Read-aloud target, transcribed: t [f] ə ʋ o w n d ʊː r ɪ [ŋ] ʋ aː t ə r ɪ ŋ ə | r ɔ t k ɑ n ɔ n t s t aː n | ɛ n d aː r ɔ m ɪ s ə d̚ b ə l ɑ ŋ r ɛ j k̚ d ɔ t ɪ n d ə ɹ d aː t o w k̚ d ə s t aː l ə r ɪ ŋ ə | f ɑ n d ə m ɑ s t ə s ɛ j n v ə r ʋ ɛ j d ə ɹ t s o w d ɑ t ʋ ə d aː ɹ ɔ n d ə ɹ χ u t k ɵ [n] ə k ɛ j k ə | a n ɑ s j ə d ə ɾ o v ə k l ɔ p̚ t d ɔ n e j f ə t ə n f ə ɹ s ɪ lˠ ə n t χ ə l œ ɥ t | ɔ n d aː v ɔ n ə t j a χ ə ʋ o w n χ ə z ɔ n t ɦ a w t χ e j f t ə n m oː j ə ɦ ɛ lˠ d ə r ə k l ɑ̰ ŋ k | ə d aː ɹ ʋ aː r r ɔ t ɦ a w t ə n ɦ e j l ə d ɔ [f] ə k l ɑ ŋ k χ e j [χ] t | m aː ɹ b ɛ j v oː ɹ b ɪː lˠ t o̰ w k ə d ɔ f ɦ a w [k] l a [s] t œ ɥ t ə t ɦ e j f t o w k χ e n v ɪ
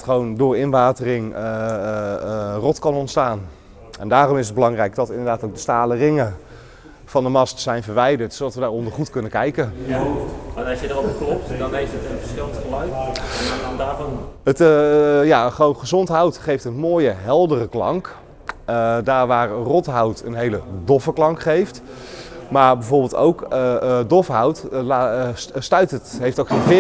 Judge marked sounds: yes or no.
no, no, yes, yes, no, no, yes

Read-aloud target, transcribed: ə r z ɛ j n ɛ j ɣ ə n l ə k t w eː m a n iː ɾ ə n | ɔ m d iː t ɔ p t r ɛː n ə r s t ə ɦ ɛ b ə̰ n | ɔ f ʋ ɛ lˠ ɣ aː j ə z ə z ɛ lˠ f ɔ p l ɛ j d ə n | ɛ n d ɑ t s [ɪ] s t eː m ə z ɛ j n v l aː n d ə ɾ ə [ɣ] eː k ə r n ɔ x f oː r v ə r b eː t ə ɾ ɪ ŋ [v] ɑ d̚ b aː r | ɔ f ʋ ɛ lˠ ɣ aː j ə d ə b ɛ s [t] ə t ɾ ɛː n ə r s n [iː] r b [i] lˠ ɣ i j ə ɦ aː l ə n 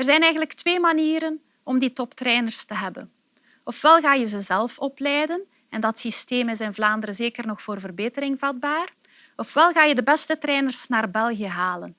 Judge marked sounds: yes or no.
no, no, yes, yes, no, no

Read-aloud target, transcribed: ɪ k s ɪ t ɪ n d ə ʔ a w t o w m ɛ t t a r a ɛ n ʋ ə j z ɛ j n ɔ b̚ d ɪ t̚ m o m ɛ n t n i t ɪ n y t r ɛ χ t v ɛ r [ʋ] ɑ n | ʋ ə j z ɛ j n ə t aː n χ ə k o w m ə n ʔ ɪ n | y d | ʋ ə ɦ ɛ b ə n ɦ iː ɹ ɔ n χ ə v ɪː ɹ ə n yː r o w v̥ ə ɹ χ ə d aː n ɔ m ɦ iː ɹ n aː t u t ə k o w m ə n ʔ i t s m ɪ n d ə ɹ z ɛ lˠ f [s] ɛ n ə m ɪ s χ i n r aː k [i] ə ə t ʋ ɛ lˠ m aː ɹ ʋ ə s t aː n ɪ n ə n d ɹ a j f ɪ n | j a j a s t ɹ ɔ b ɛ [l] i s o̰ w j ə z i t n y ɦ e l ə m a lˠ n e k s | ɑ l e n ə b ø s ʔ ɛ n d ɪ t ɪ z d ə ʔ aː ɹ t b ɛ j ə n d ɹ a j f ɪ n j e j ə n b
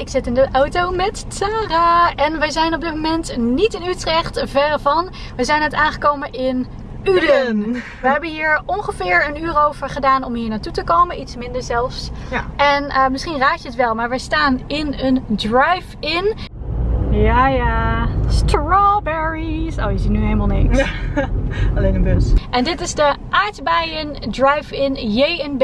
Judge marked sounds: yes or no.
no, yes, no, no

